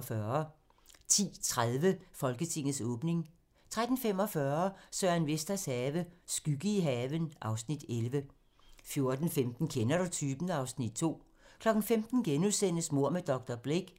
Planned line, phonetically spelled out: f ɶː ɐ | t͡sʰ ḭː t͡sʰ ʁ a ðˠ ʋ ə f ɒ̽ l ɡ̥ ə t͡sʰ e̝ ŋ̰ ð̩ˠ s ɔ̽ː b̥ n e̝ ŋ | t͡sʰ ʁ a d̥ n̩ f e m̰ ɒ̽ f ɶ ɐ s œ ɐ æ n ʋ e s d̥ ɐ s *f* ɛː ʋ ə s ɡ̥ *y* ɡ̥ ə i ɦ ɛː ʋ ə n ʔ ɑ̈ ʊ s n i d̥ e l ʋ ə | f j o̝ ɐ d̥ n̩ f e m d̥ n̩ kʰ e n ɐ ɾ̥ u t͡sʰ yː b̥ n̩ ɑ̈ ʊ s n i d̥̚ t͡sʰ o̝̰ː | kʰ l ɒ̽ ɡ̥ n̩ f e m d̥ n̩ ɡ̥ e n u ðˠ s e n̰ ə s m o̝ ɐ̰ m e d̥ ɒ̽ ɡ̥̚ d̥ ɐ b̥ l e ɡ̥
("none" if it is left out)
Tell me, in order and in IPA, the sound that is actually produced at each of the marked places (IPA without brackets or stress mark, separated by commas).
h, y